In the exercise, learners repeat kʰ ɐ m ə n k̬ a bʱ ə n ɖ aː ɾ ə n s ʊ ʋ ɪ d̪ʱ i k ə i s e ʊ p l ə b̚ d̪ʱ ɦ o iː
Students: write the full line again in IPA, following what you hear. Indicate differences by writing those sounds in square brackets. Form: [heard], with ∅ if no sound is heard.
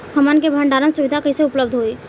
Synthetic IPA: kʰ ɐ m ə n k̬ [e] bʱ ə [ɳ] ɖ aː ɾ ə n s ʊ ʋ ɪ d̪ʱ [a] k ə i s e ʊ p l ə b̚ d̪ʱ ɦ o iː